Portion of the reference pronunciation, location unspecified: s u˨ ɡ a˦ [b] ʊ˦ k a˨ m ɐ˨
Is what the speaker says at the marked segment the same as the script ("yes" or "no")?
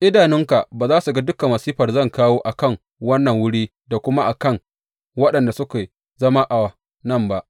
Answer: no